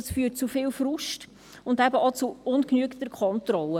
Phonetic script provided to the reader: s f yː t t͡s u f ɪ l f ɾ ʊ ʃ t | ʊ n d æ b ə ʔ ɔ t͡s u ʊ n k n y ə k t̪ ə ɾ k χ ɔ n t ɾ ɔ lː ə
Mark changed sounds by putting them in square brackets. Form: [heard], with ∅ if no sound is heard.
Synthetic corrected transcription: s f yː t t͡s u f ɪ l f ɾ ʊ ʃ t | ʊ n d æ b ə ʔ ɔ t͡s u ʊ n k n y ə k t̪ ə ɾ k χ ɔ n t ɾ ɔ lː ə